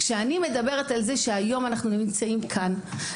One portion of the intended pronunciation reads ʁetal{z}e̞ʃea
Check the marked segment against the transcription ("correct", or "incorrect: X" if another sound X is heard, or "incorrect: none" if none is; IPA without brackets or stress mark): correct